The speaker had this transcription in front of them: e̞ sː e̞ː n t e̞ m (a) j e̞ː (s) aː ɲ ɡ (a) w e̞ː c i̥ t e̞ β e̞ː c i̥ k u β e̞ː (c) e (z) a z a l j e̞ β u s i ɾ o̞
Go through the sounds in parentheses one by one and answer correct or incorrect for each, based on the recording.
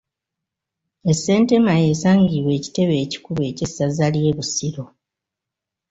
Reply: correct, correct, incorrect: i, correct, incorrect: s

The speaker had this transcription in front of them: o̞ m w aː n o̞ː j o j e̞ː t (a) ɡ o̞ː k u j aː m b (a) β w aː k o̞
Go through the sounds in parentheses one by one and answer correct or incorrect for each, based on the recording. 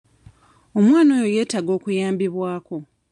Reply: correct, incorrect: i

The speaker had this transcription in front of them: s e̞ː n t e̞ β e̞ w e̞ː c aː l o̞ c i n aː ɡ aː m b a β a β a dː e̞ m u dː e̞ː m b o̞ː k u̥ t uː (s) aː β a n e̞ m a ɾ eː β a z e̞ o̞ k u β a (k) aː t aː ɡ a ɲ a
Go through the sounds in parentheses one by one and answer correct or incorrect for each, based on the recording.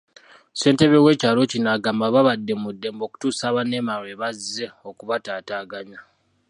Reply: correct, incorrect: t

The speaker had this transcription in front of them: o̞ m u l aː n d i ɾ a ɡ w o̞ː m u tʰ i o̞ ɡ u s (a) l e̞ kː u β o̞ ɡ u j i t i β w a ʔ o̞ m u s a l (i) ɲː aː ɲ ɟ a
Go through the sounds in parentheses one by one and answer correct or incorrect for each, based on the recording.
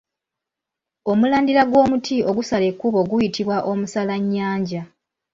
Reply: correct, incorrect: a

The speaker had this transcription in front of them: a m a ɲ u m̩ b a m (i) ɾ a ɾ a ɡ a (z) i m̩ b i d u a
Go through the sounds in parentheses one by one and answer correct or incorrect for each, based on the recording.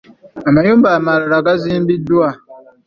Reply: incorrect: a, correct

